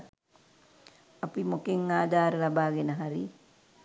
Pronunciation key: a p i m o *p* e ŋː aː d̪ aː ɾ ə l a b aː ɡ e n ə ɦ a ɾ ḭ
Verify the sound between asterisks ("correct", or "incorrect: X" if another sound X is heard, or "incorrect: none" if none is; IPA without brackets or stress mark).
incorrect: k